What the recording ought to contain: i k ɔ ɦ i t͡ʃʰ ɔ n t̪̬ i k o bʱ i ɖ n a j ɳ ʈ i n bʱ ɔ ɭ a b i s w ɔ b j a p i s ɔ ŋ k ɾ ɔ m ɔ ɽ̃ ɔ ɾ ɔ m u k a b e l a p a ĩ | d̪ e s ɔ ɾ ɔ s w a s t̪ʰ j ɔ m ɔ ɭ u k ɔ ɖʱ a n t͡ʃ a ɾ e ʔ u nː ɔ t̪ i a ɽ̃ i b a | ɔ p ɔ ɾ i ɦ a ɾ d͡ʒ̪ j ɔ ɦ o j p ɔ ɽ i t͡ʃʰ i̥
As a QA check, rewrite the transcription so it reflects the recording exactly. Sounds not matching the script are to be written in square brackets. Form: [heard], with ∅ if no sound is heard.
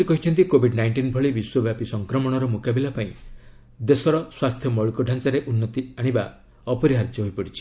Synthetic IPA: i k ɔ ɦ i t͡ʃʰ ɔ n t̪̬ i k o bʱ i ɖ n a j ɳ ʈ i n bʱ ɔ ɭ [i] b i s w ɔ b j a p i s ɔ ŋ k ɾ ɔ m ɔ ɽ̃ ɔ ɾ ɔ m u k a b [i] l a p a ĩ | d̪ e s ɔ ɾ ɔ s w a s t̪ʰ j ɔ m ɔ ɭ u k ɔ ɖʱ a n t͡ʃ a ɾ e ʔ u nː ɔ t̪ i a ɽ̃ i b a | ɔ p ɔ ɾ i ɦ a ɾ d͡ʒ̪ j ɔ ɦ o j p ɔ ɽ i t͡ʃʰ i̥